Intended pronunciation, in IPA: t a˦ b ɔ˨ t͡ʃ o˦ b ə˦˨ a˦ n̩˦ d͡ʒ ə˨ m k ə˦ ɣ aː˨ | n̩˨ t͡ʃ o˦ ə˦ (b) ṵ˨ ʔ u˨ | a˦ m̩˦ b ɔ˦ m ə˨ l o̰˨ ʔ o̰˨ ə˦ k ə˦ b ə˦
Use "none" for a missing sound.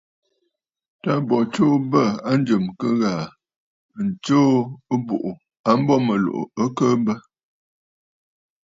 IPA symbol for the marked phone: b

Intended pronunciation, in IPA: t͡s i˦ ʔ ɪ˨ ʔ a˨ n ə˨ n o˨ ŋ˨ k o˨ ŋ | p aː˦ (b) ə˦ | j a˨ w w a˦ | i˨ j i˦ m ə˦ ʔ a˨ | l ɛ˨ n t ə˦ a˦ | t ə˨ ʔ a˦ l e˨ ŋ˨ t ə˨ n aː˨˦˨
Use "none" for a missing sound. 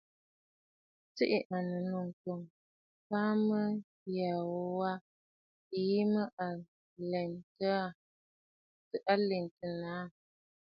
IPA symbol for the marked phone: m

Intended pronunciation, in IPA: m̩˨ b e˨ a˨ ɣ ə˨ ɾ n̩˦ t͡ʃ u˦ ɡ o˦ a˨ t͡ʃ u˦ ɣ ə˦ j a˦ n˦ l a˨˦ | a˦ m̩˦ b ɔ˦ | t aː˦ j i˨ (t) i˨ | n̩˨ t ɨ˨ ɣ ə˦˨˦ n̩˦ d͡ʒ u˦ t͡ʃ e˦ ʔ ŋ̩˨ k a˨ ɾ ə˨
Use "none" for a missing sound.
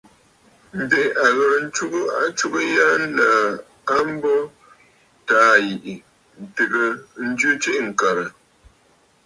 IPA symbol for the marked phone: ʔ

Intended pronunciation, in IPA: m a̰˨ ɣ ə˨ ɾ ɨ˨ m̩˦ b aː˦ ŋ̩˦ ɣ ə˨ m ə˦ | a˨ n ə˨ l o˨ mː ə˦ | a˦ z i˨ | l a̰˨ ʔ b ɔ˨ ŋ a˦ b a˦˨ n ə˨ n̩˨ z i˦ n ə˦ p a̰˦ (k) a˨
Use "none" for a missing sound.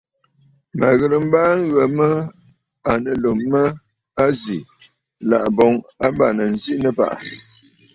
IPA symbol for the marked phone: ʔ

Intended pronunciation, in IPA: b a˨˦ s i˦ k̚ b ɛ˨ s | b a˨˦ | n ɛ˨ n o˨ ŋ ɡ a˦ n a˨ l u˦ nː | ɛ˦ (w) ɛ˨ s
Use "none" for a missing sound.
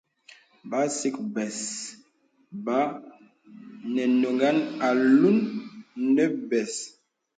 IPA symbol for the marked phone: b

